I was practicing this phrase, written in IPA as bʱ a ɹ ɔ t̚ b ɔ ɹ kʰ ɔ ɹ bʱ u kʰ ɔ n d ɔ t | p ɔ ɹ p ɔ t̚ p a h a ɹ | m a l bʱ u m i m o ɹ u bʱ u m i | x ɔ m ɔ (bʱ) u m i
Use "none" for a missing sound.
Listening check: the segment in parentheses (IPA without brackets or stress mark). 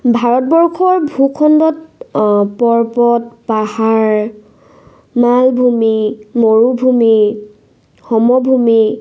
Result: bʱ